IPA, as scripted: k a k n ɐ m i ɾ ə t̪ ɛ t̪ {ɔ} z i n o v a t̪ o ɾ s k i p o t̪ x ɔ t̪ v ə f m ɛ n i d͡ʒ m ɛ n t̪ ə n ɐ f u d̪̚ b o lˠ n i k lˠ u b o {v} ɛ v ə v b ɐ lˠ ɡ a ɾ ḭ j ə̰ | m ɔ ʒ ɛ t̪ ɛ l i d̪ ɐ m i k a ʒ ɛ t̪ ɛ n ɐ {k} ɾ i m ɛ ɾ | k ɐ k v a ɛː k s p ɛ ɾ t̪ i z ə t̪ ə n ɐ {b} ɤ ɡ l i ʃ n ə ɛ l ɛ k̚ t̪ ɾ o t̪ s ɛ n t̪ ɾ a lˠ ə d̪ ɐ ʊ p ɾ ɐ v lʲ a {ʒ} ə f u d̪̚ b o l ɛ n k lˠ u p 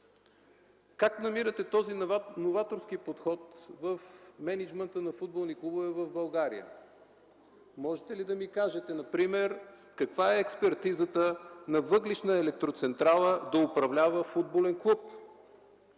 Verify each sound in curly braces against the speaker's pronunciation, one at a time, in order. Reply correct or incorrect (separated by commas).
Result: correct, correct, incorrect, incorrect, incorrect